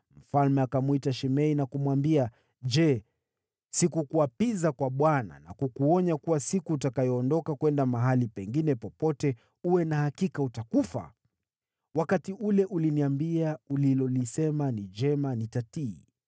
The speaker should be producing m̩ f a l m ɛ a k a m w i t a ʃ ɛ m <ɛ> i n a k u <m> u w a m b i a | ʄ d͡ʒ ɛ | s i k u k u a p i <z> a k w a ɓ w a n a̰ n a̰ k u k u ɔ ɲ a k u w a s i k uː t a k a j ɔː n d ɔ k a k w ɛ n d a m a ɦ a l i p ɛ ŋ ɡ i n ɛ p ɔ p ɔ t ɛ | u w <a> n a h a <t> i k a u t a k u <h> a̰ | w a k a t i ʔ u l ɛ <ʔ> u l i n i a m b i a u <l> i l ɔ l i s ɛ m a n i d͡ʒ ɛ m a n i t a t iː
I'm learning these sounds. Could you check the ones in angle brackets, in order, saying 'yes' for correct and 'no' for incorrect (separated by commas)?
yes, yes, yes, no, no, no, yes, yes